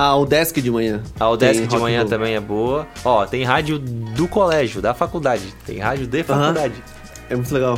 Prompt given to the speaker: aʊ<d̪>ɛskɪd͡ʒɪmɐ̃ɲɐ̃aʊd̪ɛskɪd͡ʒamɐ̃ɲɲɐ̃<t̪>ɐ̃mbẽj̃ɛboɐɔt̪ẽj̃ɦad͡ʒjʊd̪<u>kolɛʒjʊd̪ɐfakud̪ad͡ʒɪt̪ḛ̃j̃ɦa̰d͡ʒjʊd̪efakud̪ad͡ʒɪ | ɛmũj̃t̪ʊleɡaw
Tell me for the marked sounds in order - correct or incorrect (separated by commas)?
correct, correct, incorrect